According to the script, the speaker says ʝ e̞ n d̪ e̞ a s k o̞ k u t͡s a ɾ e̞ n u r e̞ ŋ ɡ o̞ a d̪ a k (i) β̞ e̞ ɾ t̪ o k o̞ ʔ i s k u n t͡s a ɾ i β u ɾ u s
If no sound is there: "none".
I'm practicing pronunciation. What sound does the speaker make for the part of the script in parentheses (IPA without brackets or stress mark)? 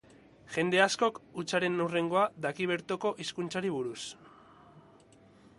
i